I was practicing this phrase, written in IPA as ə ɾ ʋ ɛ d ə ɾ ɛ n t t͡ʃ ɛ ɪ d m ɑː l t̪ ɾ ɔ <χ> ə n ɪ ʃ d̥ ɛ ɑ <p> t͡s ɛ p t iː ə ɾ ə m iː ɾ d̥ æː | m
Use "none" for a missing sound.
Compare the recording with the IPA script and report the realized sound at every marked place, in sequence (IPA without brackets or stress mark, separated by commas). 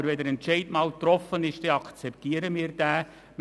f, k